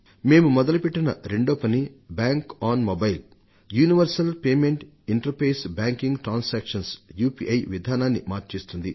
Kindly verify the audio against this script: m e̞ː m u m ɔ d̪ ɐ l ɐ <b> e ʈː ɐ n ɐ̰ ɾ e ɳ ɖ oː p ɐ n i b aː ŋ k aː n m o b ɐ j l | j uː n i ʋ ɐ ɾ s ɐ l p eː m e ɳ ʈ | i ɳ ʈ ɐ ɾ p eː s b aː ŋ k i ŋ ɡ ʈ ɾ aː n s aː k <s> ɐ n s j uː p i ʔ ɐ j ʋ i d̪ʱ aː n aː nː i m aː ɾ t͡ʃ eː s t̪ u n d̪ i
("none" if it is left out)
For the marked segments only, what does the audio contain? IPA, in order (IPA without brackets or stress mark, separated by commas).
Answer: p, ʂ